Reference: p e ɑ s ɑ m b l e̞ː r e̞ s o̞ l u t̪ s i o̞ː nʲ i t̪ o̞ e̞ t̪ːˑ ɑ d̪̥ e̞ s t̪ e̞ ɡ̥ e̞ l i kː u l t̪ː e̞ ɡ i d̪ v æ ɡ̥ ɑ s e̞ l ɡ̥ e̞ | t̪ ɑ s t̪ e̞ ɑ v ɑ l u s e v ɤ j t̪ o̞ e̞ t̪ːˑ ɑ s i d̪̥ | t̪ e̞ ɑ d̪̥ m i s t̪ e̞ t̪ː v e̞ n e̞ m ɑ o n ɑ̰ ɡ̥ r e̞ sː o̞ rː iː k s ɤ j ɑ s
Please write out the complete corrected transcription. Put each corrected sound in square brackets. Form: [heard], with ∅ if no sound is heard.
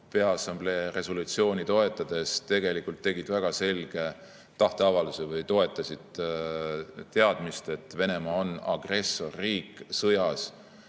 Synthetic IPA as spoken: p e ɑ s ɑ m b l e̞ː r e̞ s o̞ l u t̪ s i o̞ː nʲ i t̪ o̞ e̞ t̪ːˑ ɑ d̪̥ e̞ s t̪ e̞ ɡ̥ e̞ l i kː u l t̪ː e̞ ɡ i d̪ v æ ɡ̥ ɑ s e̞ l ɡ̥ e̞ | t̪ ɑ [h] t̪ e̞ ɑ v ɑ l u s e v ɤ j t̪ o̞ e̞ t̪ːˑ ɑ s i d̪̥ | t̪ e̞ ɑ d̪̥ m i s t̪ e̞ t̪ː v e̞ n e̞ m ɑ o n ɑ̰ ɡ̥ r e̞ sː o̞ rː iː k s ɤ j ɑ s